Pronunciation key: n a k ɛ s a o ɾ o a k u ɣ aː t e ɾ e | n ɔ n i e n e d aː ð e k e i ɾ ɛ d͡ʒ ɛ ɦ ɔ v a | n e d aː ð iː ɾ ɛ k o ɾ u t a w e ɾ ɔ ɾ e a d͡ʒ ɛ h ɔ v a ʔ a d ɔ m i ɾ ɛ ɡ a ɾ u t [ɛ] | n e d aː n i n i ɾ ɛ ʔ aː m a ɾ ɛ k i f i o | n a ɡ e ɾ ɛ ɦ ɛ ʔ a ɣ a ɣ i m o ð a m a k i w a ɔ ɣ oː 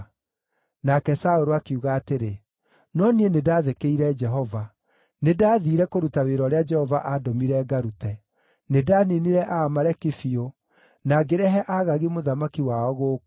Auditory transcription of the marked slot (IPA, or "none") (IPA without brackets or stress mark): ɛ